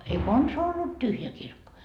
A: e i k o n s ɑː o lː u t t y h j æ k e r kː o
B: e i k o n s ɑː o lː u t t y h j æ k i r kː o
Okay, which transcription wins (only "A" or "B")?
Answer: B